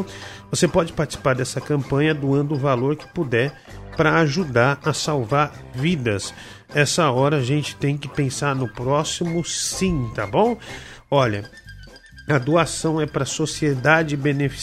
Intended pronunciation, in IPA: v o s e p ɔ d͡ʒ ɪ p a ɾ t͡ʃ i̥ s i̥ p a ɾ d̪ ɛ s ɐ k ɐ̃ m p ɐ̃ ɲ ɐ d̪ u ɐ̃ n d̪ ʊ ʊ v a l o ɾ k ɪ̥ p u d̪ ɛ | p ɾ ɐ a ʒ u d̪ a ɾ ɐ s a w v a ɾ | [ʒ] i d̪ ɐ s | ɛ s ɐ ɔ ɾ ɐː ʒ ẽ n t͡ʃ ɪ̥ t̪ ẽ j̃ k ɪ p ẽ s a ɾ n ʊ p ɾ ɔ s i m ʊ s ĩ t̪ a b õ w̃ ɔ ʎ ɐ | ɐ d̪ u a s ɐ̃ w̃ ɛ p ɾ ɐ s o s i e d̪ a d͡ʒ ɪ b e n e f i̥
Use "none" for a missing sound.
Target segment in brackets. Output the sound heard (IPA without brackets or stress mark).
v